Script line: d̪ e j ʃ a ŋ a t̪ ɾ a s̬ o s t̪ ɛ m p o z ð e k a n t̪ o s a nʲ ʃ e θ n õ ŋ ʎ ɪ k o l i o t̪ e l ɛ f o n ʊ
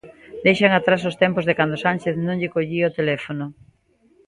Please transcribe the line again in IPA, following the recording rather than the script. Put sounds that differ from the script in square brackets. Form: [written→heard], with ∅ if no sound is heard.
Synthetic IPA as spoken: d̪ e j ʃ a ŋ a t̪ ɾ a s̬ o s t̪ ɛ m p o z ð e k a n [t̪→d̪] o s a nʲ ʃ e θ n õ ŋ ʎ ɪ k o [l→ʎ] i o t̪ e l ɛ f o n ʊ